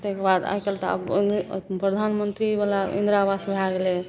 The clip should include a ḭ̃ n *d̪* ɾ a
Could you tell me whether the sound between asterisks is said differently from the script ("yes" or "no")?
no